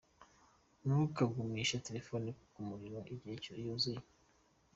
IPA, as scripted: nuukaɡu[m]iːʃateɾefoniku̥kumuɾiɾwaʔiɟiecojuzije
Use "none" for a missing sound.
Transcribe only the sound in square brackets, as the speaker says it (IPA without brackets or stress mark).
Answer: m